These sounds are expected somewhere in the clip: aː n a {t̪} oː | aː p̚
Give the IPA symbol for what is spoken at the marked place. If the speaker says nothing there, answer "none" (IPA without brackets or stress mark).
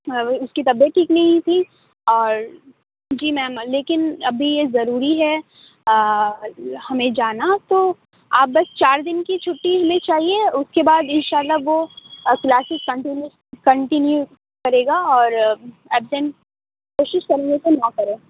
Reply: t̪